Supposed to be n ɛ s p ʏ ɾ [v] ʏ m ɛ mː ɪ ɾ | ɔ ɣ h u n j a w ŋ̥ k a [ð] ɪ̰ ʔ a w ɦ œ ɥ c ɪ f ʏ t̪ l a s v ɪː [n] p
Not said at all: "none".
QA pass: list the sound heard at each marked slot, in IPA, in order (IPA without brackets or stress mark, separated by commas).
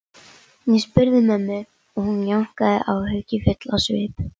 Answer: ð, ð, none